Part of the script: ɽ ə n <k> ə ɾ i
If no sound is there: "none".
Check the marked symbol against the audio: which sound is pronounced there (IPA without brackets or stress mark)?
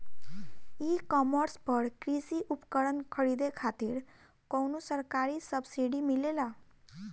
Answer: kʰ